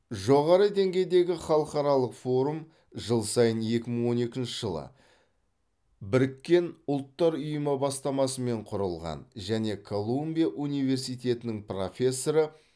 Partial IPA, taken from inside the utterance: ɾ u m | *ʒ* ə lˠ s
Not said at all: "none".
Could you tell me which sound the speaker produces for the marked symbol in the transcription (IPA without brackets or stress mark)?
ʒ